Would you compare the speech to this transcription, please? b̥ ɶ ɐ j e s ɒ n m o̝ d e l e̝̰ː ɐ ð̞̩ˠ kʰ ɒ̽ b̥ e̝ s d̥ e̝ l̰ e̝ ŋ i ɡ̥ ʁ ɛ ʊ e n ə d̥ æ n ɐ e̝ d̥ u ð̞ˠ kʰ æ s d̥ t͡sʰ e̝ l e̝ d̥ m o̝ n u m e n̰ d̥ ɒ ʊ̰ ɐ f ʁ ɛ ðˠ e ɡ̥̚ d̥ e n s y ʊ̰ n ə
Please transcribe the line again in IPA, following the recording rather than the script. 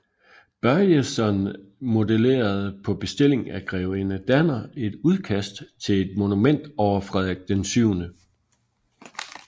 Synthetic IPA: b̥ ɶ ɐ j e s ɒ n m o̝ d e l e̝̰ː ɐ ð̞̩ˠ pʰ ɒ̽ b̥ e̝ s d̥ e̝ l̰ e̝ ŋ æ ɡ̥ ʁ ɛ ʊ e n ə d̥ æ n ɐ e̝ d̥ u ð̞ˠ kʰ æ s d̥ t͡sʰ e̝ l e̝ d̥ m o̝ n u m e n̰ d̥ ɒ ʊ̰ ɐ f ʁ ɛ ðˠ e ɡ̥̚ d̥ e n s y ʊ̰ n ə